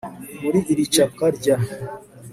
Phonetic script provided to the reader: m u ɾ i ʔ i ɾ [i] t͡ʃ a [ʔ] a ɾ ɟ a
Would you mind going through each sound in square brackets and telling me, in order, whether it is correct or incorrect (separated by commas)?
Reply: correct, incorrect